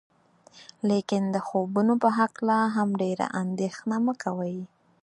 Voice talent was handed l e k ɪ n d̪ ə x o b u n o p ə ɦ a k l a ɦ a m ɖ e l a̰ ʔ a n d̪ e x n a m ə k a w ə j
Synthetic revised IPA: l e k ɪ n d̪ ə x o b u n o p ə ɦ a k l a ɦ a m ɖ e ɾ a̰ ʔ a n d̪ e x n a m ə k a w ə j